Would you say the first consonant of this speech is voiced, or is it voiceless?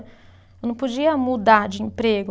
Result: voiced